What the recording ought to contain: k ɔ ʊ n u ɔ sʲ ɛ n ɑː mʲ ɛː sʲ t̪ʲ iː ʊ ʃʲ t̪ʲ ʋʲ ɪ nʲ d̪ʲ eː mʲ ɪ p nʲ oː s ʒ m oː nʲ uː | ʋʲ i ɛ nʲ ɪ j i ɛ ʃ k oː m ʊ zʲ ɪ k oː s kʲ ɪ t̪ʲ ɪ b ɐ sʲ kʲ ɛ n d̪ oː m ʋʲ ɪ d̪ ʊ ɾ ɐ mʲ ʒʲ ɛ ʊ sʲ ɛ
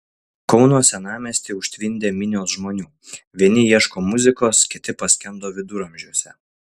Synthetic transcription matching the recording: k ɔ ʊ n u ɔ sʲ ɛ n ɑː mʲ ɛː sʲ t̪ʲ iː ʊ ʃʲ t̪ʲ ʋʲ ɪ nʲ d̪ʲ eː mʲ ɪ nʲ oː s ʒ m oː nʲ uː | ʋʲ i ɛ nʲ ɪ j i ɛ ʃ k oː m ʊ zʲ ɪ k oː s kʲ ɪ t̪ʲ ɪ p ɐ sʲ kʲ ɛ n d̪ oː ʋʲ ɪ d̪ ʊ ɾ ɐ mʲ ʒʲ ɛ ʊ sʲ ɛ